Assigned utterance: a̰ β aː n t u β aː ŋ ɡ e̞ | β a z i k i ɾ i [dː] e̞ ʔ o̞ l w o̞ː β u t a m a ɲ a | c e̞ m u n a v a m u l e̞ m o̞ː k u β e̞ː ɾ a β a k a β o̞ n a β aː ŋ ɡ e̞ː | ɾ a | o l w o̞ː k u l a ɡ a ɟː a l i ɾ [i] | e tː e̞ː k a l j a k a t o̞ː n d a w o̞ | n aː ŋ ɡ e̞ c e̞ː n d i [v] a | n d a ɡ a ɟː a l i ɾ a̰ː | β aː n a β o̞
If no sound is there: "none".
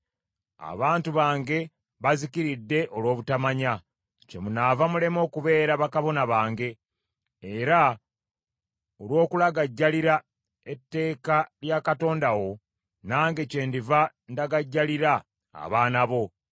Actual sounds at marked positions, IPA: dː, a, v

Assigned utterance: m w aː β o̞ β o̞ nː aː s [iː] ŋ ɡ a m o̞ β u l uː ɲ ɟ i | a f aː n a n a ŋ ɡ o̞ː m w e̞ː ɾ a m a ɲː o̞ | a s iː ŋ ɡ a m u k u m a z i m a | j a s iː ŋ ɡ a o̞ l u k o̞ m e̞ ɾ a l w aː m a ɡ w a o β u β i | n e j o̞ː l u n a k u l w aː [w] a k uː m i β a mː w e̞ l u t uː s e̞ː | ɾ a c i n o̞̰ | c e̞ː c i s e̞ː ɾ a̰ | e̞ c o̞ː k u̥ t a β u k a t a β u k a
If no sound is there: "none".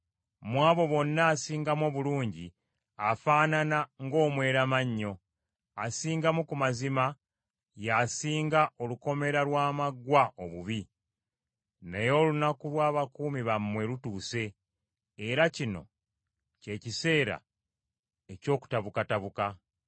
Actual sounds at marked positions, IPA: iː, β

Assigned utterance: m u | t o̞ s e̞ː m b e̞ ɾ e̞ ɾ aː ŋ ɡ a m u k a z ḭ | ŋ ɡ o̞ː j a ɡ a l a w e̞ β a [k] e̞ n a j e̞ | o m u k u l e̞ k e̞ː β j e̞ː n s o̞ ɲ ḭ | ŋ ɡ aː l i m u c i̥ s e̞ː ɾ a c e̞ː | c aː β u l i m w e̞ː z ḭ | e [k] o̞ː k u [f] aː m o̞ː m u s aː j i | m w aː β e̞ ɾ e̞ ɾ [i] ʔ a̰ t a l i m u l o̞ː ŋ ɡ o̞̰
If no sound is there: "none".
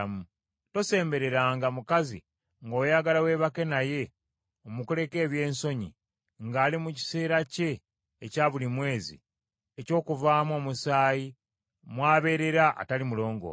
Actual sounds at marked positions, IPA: k, c, v, a

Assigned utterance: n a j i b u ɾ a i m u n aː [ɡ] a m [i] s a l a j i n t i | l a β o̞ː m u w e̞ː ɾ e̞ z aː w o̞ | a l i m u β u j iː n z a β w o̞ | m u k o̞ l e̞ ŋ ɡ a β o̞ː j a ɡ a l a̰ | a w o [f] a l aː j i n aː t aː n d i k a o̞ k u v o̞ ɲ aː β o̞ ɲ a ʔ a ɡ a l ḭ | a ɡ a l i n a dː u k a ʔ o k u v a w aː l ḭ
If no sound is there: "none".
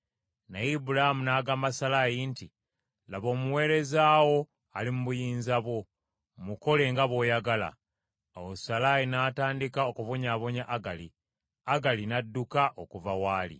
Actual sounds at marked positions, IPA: ɡ, a, s

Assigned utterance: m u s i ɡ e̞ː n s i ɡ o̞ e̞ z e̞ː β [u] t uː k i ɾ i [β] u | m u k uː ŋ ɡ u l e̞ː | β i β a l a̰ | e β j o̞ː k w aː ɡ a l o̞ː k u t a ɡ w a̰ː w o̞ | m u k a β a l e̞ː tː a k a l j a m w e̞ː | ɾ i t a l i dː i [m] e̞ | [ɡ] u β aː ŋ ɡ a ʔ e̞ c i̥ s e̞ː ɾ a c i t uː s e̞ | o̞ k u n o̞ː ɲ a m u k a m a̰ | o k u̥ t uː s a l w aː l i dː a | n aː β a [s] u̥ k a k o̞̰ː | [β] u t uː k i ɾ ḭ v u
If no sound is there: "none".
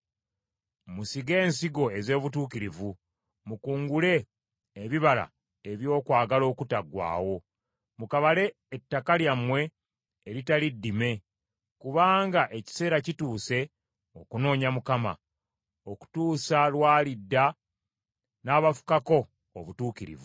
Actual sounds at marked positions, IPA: u, v, m, k, f, β

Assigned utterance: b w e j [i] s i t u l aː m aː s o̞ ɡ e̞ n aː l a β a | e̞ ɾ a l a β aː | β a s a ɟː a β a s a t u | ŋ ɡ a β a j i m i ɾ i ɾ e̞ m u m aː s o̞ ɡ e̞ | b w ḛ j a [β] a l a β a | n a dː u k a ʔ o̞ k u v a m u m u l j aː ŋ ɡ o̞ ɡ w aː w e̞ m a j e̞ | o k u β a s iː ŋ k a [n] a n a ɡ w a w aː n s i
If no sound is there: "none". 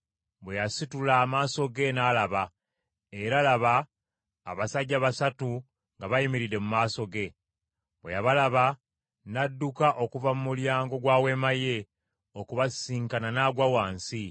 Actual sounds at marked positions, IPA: a, β, n

